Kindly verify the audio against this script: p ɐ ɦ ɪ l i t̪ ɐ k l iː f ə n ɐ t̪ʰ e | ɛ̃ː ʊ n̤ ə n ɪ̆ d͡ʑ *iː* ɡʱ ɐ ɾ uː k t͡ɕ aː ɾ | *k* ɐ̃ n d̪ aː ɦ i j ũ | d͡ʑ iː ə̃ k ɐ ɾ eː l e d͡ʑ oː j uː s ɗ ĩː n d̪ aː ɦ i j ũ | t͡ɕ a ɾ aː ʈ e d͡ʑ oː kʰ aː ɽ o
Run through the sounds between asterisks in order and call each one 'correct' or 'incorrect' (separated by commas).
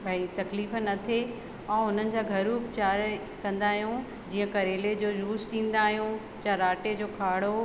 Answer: incorrect, correct